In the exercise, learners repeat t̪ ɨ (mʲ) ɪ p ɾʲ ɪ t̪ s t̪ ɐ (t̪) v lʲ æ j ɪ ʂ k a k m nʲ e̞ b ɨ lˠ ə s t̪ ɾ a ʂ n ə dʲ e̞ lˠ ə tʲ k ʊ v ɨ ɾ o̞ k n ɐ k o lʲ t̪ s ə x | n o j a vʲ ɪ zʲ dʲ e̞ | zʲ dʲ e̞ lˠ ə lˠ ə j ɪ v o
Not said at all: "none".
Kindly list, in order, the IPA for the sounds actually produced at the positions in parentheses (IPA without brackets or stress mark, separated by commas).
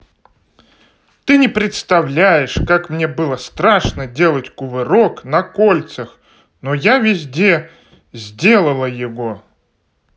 nʲ, none